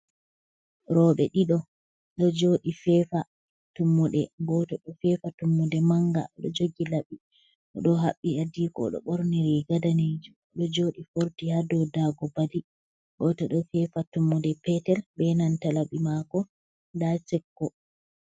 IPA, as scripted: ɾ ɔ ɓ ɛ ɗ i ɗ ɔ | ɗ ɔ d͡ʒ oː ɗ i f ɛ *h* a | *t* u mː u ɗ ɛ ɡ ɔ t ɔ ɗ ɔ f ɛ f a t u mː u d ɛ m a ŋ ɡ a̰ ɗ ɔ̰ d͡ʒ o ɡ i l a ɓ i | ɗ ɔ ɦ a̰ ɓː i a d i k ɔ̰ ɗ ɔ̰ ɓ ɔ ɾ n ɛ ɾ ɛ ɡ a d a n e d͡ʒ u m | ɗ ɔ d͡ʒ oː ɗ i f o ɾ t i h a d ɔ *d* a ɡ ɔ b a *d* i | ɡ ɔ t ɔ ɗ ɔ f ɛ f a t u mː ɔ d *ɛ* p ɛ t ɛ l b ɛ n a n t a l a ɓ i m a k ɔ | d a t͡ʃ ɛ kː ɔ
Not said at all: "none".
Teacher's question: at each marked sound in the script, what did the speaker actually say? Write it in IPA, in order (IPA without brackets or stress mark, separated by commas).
f, t, d, d, ɛ